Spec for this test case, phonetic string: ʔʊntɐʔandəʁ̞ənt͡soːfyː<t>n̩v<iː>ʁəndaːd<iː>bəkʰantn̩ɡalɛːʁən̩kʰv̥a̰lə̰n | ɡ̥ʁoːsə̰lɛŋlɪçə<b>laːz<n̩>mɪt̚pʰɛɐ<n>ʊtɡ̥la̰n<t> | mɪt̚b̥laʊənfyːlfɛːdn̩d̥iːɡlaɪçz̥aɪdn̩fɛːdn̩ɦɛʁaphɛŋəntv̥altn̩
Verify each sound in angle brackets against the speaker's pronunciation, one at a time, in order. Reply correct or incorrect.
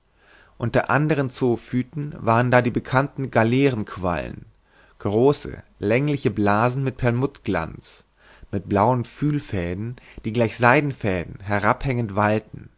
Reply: correct, incorrect, correct, correct, correct, incorrect, incorrect

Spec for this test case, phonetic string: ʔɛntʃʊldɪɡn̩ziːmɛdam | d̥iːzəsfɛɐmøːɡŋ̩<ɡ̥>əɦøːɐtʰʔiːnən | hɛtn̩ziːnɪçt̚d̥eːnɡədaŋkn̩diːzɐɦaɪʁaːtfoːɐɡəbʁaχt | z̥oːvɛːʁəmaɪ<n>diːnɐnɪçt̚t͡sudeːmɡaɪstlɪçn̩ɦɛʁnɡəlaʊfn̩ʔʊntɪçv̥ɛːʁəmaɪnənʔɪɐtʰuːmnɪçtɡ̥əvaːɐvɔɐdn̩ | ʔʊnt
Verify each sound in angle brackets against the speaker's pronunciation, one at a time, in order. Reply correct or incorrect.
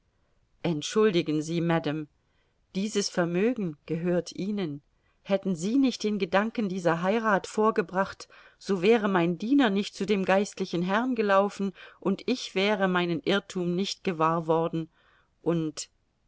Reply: correct, correct

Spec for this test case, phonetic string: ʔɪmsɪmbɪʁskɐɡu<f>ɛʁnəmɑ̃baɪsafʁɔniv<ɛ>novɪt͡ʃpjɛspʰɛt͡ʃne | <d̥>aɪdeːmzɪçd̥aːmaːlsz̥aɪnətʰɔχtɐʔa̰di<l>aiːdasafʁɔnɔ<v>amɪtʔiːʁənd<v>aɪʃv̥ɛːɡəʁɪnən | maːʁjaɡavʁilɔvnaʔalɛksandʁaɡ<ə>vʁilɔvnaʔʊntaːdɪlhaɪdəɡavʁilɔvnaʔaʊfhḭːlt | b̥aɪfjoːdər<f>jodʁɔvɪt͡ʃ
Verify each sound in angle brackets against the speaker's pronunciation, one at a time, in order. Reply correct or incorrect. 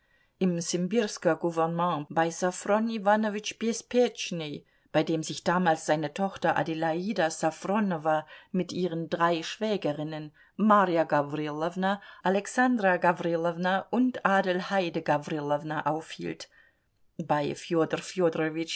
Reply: incorrect, incorrect, incorrect, correct, correct, incorrect, incorrect, correct

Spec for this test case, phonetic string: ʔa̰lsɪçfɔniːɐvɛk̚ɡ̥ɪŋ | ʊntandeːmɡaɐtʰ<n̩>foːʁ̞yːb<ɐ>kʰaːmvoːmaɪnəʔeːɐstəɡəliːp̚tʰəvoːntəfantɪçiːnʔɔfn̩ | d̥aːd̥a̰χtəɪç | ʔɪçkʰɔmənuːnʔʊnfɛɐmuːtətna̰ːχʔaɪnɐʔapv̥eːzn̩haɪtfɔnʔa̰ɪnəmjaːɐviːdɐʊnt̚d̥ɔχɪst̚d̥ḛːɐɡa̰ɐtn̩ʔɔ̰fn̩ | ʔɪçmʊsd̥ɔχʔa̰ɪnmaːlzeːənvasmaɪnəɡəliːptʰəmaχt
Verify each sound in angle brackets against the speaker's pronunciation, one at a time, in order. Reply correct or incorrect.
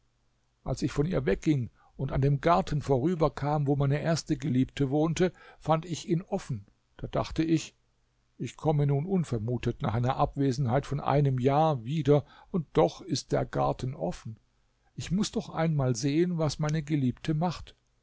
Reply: correct, correct

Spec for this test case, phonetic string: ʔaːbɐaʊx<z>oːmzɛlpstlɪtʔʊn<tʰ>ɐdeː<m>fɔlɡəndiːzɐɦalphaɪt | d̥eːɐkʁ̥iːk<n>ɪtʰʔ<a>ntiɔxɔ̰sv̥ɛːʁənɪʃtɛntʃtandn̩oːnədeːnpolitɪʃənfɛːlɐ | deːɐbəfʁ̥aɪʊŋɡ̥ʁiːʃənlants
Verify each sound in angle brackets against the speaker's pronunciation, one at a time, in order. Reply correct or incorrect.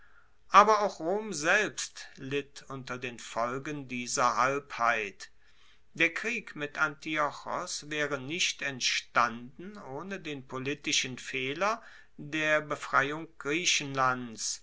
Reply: incorrect, incorrect, incorrect, incorrect, correct

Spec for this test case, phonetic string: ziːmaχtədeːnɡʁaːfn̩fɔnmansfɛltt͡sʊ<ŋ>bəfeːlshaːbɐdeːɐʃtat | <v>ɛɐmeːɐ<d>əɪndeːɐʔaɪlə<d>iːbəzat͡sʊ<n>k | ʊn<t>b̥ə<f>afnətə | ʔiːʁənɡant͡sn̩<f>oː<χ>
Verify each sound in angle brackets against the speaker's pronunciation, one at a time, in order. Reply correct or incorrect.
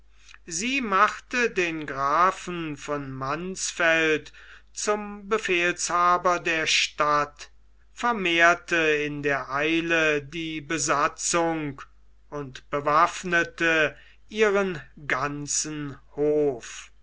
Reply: incorrect, incorrect, incorrect, correct, incorrect, correct, incorrect, incorrect, incorrect

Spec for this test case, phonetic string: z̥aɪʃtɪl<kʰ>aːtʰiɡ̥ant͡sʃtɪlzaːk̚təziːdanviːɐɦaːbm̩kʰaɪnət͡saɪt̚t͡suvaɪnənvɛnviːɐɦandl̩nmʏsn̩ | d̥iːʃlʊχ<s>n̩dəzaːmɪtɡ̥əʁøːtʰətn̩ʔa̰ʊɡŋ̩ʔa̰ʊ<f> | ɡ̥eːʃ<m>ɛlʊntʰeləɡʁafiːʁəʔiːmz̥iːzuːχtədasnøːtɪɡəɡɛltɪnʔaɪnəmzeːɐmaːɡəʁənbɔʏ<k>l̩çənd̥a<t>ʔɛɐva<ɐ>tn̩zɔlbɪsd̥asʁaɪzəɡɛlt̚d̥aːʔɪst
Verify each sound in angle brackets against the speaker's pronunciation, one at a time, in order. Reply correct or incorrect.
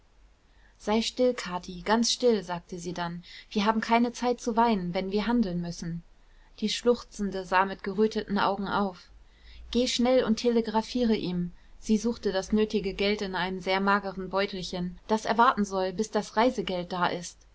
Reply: correct, incorrect, correct, incorrect, incorrect, incorrect, correct

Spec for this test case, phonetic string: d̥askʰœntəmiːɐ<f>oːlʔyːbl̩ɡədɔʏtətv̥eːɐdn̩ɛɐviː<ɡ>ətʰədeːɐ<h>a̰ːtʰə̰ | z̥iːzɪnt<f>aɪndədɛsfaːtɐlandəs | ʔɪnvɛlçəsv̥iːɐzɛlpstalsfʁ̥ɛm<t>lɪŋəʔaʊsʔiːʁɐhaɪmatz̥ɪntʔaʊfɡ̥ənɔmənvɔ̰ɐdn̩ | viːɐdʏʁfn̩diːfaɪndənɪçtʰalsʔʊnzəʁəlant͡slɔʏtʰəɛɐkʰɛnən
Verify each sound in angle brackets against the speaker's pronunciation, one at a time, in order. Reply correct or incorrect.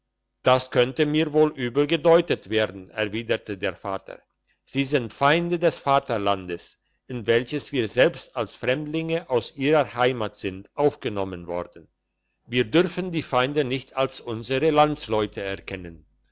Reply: incorrect, incorrect, incorrect, correct, incorrect

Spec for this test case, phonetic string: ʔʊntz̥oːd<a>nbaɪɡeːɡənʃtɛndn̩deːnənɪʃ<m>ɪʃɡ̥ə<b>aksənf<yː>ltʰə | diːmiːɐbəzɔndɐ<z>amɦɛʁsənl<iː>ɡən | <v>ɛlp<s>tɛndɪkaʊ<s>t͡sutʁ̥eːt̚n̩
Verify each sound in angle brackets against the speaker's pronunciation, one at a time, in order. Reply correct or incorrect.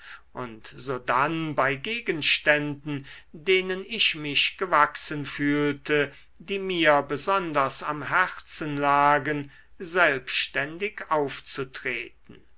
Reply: correct, correct, incorrect, correct, incorrect, incorrect, incorrect, incorrect, incorrect

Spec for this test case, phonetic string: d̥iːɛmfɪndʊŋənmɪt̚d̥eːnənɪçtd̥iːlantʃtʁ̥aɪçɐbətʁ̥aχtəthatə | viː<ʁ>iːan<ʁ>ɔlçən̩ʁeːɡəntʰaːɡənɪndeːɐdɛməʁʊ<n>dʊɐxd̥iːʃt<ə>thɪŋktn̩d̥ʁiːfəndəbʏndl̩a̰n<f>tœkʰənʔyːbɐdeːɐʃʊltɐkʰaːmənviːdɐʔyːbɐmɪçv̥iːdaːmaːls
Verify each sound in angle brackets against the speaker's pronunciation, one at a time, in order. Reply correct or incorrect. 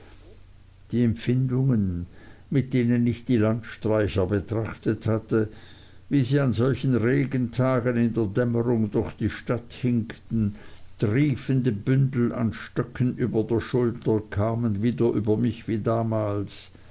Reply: incorrect, incorrect, incorrect, incorrect, incorrect

